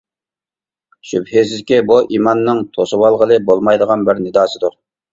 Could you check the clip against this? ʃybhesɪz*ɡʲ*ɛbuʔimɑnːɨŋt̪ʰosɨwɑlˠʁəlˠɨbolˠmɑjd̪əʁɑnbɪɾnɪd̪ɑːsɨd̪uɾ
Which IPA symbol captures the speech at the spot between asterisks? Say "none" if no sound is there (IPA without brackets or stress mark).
kʲ